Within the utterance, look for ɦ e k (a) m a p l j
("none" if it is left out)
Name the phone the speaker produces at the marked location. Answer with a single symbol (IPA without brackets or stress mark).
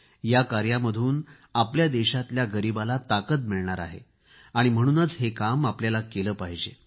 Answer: a